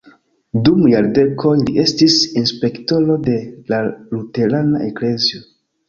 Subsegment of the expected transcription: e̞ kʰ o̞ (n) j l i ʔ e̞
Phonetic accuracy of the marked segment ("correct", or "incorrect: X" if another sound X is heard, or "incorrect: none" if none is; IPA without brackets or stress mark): incorrect: none